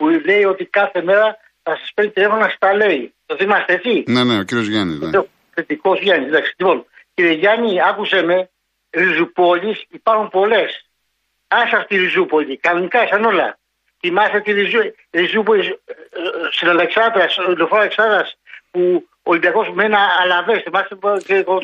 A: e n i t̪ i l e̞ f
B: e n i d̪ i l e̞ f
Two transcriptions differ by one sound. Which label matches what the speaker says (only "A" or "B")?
A